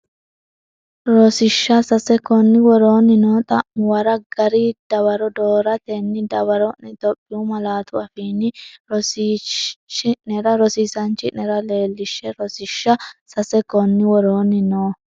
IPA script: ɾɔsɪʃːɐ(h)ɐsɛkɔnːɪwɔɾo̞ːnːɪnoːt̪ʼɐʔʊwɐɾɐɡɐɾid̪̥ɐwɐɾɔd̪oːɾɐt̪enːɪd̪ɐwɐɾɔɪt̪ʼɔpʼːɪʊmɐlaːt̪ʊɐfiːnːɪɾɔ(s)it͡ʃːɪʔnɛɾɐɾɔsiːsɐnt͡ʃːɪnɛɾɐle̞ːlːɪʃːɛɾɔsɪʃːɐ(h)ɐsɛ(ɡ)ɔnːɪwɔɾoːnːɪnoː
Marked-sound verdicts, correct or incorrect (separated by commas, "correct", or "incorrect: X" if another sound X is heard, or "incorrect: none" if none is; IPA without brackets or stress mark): incorrect: s, correct, incorrect: s, incorrect: k